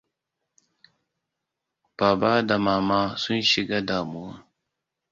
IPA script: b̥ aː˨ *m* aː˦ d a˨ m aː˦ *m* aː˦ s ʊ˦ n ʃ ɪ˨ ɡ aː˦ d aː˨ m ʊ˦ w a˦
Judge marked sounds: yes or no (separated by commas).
no, yes